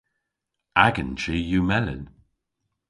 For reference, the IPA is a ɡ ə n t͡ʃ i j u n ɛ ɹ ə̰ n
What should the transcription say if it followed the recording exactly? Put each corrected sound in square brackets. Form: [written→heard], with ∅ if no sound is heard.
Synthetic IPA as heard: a ɡ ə n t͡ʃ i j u [n→m] ɛ [ɹ→l] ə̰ n